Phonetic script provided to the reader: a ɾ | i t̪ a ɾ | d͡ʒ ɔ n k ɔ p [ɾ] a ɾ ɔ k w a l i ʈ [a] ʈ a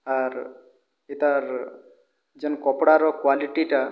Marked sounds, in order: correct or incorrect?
incorrect: ɽ, incorrect: i

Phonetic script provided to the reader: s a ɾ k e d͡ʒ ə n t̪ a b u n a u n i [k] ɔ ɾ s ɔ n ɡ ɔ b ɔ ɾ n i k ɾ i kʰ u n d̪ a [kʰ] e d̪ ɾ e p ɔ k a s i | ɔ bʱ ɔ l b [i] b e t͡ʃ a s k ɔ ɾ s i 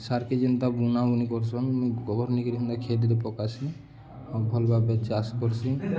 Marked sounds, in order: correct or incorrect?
correct, correct, incorrect: a

